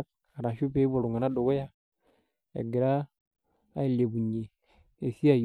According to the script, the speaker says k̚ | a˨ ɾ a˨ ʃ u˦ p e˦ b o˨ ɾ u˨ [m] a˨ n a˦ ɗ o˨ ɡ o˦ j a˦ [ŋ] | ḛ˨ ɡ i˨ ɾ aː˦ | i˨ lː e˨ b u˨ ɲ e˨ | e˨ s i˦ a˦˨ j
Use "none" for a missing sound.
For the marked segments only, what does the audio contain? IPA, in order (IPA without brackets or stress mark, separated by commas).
ŋ, none